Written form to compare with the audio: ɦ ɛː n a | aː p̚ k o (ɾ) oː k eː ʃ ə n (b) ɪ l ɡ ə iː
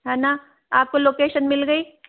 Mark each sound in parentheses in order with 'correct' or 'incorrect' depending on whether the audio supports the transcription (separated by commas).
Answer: incorrect, incorrect